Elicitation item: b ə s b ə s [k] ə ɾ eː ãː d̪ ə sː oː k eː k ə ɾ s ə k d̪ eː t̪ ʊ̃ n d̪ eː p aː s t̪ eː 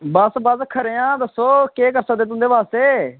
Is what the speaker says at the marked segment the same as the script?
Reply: no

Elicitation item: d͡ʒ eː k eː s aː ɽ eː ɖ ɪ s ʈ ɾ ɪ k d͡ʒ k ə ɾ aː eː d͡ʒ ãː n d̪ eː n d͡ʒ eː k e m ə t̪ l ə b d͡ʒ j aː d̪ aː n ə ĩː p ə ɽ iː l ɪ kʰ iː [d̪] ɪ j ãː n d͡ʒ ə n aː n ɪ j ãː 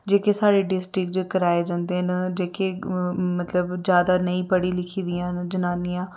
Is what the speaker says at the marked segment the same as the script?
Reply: yes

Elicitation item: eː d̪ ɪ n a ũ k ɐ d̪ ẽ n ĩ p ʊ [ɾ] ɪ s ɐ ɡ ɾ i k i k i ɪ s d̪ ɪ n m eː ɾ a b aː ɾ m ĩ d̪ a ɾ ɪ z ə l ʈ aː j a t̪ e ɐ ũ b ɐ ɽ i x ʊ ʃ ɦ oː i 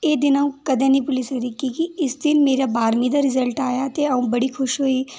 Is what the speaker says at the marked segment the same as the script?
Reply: no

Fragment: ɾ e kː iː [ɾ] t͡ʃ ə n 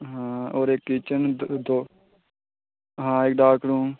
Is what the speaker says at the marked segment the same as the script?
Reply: no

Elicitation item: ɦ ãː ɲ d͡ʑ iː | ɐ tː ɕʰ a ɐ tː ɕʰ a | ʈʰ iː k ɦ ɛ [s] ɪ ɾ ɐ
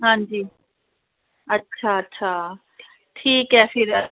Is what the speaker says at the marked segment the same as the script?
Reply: no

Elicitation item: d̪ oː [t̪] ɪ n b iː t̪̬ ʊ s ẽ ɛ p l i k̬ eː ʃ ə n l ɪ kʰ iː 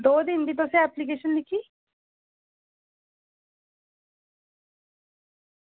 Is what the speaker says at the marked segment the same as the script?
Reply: no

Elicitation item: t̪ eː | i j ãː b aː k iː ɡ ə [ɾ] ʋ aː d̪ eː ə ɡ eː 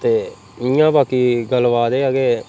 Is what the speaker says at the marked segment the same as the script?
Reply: no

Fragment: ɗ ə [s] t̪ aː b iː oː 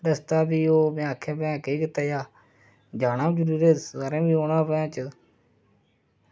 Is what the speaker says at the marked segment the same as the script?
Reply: yes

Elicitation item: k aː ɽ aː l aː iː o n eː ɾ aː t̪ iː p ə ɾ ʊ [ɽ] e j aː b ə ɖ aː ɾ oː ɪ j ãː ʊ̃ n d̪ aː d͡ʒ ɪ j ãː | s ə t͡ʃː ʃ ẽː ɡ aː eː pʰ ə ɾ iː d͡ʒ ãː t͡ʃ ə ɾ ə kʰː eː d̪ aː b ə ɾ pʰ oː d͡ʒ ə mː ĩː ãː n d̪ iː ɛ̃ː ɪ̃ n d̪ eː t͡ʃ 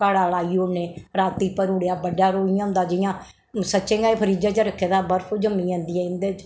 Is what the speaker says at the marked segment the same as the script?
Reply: yes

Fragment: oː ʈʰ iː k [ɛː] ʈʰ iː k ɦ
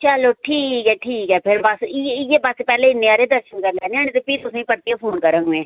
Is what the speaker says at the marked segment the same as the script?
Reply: yes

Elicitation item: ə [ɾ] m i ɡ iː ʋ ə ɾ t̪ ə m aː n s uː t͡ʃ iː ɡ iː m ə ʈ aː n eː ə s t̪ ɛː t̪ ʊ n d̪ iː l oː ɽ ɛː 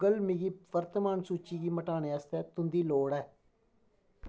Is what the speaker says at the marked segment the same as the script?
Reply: no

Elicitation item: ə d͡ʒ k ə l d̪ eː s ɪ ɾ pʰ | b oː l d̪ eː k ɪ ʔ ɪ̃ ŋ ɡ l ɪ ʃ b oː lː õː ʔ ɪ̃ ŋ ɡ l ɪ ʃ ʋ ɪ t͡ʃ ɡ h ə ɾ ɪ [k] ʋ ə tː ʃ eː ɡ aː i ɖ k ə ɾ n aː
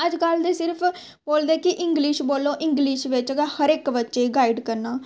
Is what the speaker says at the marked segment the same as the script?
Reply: yes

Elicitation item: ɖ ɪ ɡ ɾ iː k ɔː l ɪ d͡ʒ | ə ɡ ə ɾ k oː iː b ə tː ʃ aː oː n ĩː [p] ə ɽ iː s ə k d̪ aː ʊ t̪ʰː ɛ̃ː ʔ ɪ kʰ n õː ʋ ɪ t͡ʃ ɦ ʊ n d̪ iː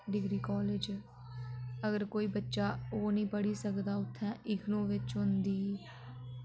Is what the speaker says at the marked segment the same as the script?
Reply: yes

